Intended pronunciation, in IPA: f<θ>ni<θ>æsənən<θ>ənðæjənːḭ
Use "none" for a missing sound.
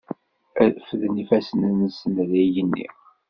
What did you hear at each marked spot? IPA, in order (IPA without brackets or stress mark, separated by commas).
ð, f, s